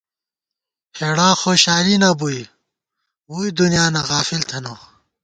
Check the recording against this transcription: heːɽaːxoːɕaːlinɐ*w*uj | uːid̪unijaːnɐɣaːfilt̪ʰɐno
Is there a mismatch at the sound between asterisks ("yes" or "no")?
yes